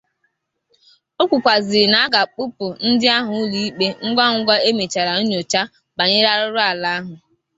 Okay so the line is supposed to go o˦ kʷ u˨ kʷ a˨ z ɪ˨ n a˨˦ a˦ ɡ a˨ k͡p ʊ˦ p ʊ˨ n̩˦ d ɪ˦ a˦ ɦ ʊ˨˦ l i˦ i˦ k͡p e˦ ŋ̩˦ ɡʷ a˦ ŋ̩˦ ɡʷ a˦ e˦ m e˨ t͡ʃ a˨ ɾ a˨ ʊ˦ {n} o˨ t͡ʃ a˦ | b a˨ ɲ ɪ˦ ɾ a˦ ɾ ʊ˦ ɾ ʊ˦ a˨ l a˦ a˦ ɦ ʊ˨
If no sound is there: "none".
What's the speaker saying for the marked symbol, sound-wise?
ɲ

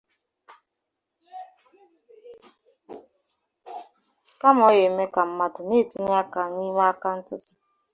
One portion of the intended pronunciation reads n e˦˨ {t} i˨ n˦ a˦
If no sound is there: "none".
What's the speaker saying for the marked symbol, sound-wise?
t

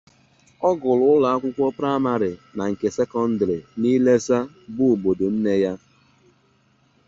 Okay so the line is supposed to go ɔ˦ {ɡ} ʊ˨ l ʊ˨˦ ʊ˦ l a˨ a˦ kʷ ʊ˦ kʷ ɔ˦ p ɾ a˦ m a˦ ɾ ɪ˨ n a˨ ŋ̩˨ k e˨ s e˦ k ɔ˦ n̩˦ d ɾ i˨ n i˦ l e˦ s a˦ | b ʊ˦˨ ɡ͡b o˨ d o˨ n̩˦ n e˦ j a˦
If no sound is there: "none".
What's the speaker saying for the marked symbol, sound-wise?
ɡ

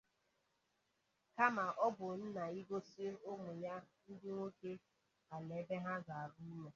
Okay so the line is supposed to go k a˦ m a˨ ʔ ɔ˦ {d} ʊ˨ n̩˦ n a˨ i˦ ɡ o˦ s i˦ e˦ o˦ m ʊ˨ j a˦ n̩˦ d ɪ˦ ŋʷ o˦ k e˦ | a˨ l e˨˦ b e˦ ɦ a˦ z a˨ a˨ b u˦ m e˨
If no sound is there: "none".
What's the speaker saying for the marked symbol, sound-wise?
b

